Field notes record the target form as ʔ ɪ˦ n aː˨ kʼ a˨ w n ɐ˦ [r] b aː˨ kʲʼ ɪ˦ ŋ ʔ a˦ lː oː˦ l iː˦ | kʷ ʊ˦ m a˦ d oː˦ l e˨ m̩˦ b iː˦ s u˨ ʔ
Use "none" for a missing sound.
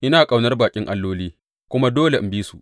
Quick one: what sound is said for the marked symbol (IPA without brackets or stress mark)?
r